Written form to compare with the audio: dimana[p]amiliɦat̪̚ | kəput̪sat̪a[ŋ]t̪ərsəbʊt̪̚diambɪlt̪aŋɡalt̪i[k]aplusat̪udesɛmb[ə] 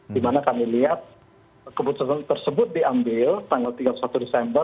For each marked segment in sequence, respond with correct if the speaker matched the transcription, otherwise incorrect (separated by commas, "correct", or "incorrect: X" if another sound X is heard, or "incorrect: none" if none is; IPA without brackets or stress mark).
incorrect: k, incorrect: n, incorrect: ɡ, correct